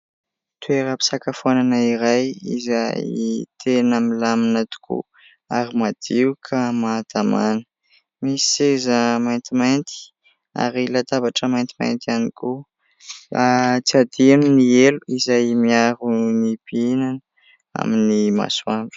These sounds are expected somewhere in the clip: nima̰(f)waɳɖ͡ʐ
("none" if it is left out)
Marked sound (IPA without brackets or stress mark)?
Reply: s